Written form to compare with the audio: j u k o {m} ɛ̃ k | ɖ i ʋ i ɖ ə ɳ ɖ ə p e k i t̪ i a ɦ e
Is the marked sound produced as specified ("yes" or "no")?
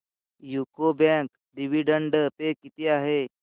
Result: no